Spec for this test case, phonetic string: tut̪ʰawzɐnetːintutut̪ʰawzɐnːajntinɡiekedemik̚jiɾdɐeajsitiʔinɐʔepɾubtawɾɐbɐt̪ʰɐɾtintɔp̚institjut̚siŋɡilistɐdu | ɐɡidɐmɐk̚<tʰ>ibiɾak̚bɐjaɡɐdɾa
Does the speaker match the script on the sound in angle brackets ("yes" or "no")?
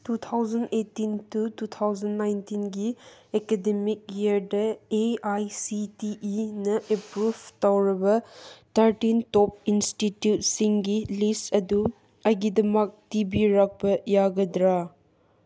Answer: no